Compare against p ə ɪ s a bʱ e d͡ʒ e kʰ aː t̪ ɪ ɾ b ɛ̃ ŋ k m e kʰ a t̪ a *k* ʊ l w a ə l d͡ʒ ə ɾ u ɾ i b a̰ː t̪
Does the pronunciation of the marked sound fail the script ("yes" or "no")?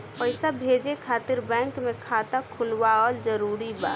yes